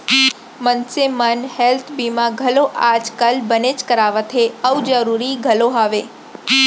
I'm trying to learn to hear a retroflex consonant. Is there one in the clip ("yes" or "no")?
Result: no